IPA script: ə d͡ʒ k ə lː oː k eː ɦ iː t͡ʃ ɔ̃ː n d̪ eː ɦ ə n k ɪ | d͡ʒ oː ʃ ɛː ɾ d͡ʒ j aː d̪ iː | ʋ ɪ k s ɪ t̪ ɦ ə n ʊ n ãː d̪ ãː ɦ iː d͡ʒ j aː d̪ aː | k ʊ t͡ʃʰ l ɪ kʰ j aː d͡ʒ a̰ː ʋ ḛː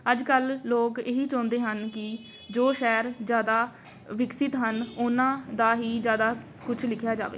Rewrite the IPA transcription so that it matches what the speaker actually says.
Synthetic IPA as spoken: ə d͡ʒ k ə lː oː k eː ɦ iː t͡ʃ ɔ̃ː n d̪ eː ɦ ə n k ɪ | d͡ʒ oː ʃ ɛː ɾ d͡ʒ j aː d̪ aː | ʋ ɪ k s ɪ t̪ ɦ ə n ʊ n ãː d̪ aː ɦ iː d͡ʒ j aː d̪ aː | k ʊ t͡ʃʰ l ɪ kʰ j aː d͡ʒ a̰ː ʋ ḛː